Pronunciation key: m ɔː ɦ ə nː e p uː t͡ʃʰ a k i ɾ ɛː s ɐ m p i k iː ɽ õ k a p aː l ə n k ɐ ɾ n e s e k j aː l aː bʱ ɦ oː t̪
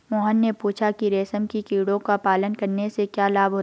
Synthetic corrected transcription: m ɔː ɦ ə nː e p uː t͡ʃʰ a k i ɾ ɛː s ə m k i k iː ɽ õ k a p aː l ə n k ɐ ɾ n e s e k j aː l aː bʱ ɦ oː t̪